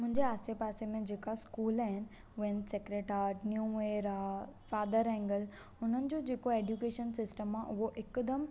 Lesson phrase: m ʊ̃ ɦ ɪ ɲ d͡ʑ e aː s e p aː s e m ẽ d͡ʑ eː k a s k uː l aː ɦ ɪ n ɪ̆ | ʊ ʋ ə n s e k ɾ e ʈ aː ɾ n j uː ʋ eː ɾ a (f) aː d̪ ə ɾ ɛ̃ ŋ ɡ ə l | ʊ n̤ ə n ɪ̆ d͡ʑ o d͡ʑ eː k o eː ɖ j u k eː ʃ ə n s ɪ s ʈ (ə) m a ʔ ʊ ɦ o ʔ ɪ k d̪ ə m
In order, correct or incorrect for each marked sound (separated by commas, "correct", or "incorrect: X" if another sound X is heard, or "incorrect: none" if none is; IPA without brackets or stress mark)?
correct, correct